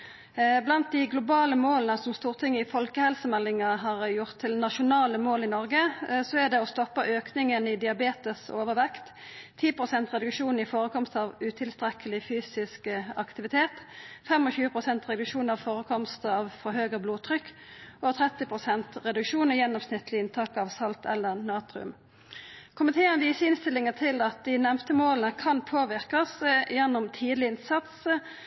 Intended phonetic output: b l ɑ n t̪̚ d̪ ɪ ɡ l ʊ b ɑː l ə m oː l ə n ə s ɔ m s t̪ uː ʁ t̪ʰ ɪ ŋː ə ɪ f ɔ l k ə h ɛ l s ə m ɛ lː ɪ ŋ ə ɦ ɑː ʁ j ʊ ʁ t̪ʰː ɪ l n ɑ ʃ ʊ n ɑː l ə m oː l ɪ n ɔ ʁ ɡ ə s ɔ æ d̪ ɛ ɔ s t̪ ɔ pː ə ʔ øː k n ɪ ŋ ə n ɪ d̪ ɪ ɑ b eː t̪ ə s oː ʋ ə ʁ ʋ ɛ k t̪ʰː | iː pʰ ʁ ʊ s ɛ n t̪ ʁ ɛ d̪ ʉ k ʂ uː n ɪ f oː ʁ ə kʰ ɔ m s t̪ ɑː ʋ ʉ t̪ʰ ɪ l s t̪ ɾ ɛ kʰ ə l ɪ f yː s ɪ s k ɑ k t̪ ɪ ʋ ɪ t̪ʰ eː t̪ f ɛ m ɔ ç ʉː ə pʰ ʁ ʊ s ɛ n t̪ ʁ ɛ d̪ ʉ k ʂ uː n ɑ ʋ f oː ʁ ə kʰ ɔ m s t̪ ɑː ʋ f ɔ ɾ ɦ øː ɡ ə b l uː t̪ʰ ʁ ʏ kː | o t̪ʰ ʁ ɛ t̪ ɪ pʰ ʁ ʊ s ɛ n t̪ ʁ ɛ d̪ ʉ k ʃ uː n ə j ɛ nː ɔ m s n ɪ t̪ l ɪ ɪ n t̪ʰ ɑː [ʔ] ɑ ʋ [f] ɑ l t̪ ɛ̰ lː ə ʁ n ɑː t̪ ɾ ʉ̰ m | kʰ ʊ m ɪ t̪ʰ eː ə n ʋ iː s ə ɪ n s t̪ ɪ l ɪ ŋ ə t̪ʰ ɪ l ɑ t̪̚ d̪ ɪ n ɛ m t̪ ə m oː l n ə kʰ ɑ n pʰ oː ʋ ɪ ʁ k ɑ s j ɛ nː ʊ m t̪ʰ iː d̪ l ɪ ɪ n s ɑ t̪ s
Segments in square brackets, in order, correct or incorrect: incorrect: k, incorrect: s

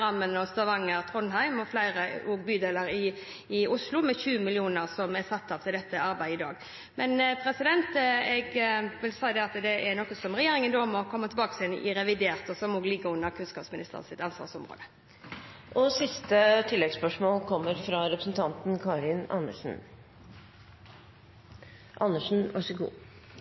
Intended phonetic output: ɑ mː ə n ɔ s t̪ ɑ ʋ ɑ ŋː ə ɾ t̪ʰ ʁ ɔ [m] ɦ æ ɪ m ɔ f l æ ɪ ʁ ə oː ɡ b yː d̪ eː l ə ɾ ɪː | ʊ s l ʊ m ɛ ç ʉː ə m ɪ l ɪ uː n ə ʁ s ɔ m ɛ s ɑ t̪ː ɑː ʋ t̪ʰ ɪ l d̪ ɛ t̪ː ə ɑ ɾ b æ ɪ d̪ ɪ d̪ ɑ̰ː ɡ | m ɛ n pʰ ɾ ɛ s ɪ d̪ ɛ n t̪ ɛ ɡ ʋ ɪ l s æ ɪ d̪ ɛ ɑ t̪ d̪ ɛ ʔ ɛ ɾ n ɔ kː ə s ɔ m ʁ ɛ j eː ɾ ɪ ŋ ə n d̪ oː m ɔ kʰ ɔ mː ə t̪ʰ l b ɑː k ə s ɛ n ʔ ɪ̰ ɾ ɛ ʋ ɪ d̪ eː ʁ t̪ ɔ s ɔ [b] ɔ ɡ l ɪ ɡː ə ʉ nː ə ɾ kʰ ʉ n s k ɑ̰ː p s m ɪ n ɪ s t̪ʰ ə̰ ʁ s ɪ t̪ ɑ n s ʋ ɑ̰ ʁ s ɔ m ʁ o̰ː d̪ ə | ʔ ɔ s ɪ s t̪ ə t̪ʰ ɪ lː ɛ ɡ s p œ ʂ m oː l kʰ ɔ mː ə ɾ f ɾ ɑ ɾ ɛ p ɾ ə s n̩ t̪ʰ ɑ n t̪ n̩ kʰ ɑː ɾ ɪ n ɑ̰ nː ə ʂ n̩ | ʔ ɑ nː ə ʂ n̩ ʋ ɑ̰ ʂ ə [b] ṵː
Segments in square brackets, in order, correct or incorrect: incorrect: n, incorrect: m, incorrect: ɡ

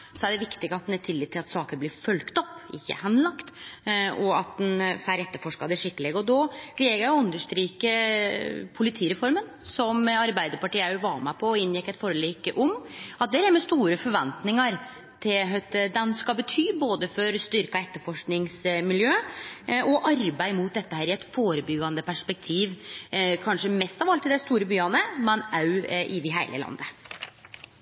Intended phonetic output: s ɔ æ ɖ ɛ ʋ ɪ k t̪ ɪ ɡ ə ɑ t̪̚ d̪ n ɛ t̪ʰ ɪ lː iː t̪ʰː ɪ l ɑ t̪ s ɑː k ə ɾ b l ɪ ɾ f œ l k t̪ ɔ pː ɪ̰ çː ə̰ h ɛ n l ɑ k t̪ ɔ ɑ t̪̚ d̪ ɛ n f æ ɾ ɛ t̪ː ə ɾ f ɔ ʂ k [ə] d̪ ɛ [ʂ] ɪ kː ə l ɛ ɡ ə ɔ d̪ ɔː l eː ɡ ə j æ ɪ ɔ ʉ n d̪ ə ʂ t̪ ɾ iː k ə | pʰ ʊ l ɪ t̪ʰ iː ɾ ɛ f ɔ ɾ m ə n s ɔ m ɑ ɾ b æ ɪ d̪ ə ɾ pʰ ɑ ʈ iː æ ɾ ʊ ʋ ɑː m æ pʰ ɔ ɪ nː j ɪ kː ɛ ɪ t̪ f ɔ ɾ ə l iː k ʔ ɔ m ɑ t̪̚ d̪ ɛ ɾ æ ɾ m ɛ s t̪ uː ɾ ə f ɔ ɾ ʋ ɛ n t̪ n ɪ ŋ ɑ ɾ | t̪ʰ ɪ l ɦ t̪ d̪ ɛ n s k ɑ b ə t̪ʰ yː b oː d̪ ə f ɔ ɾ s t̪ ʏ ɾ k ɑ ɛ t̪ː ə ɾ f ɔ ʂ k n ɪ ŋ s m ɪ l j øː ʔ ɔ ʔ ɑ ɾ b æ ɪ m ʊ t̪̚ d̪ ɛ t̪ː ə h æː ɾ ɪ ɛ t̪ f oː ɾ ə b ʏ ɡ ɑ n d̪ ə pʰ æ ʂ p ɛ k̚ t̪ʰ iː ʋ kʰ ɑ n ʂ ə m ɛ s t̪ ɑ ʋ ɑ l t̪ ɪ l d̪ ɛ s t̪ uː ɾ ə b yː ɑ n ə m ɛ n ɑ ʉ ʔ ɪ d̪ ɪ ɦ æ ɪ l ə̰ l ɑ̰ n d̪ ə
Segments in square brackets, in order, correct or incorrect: incorrect: ɑ, correct

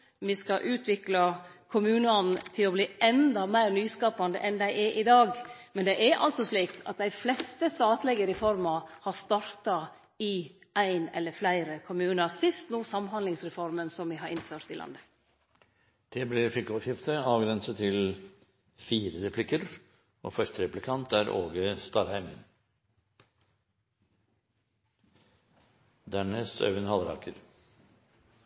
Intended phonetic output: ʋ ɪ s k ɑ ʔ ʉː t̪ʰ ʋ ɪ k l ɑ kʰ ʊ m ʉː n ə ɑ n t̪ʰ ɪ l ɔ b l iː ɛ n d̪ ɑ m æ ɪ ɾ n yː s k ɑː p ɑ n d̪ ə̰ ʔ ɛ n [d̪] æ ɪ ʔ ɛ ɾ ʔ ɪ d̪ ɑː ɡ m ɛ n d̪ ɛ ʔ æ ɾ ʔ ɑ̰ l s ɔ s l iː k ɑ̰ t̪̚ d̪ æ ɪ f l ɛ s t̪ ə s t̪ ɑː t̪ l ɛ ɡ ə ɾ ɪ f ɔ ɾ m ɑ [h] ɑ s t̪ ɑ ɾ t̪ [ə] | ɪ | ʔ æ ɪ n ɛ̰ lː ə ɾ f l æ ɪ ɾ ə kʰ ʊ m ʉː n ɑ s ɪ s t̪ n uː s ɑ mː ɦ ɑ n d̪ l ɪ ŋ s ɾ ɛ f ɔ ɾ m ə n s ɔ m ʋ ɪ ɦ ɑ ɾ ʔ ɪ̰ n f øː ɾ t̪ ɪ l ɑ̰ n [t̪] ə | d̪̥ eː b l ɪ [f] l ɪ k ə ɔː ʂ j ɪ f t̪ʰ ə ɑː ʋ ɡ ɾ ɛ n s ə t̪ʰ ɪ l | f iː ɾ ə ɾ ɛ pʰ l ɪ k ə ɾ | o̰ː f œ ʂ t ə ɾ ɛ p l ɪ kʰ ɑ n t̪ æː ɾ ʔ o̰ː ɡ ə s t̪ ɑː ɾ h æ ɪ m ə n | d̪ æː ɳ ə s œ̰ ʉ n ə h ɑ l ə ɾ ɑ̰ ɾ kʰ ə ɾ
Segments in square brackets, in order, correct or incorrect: correct, correct, incorrect: ɑ, incorrect: d̪, correct

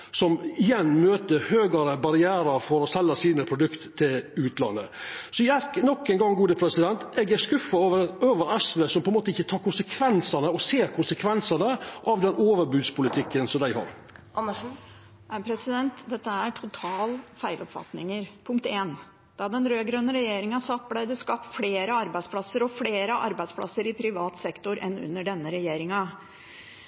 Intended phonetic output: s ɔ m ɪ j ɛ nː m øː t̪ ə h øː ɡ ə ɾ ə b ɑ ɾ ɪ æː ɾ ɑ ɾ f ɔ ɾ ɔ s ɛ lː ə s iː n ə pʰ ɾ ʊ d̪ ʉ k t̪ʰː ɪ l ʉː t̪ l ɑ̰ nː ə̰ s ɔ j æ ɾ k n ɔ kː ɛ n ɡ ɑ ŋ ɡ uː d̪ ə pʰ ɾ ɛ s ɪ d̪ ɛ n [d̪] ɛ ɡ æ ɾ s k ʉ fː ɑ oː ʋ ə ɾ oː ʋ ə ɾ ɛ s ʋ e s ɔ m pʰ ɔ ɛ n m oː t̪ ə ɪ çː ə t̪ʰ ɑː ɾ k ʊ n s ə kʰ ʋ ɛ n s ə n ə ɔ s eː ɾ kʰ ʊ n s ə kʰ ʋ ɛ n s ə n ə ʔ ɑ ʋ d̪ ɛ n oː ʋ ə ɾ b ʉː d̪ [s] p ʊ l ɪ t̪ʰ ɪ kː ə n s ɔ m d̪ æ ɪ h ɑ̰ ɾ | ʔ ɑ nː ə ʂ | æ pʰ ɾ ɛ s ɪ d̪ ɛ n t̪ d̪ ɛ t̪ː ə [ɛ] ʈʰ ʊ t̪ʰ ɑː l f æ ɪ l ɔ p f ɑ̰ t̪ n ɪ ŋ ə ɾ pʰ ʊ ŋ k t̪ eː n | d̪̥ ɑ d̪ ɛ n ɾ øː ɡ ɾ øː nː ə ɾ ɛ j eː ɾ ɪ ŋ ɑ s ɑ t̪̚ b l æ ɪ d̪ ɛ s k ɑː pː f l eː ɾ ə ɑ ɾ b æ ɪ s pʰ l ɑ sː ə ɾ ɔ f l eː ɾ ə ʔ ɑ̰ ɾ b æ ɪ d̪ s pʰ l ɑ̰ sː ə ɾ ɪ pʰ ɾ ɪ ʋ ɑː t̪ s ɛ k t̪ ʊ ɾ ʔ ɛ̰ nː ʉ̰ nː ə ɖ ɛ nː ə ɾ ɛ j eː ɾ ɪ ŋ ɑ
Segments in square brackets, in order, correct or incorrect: incorrect: t̪, correct, incorrect: æ

